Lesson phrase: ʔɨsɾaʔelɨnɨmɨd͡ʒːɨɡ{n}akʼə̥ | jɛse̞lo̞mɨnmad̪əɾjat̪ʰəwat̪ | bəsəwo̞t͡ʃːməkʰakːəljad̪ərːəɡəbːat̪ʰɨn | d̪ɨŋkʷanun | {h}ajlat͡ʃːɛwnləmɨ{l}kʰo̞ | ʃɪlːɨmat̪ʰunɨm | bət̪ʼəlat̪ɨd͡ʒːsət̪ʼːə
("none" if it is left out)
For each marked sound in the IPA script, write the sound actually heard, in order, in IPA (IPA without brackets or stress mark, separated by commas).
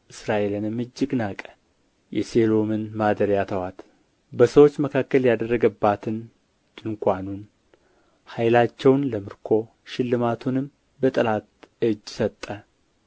n, h, ɾ